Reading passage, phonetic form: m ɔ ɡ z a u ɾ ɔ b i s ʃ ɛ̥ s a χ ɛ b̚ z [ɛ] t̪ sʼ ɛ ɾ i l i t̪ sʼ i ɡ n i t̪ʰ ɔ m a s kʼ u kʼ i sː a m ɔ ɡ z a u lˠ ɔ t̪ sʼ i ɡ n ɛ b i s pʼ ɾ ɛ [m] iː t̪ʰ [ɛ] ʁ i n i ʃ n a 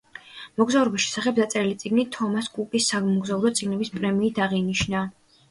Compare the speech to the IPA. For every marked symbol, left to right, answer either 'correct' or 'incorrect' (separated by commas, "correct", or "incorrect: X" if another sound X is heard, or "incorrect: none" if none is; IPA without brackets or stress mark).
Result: incorrect: a, correct, incorrect: a